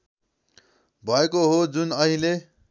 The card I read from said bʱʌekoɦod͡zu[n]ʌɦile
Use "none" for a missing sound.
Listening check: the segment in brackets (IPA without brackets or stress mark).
n